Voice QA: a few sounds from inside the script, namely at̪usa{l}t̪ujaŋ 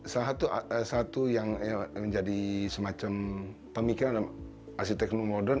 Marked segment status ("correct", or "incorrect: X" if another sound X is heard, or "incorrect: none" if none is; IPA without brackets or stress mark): incorrect: none